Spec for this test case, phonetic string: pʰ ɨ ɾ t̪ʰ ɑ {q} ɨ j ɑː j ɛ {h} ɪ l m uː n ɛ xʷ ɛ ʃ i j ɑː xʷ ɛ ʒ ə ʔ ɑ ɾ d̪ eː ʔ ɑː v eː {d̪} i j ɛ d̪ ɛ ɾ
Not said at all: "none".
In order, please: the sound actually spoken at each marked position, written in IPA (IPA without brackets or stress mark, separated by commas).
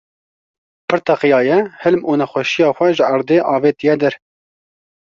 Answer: q, h, t̪